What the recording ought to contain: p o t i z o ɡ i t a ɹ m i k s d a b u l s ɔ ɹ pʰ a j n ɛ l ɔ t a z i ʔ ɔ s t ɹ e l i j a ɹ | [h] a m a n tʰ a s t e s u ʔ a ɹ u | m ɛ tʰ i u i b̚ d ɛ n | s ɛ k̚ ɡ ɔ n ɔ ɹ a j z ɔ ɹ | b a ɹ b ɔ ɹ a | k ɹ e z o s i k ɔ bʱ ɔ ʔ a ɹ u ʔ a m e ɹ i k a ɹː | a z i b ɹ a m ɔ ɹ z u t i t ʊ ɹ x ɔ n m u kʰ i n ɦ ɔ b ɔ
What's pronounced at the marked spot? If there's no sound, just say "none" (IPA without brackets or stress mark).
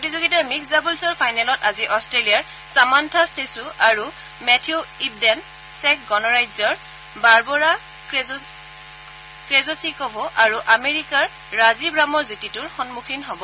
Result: s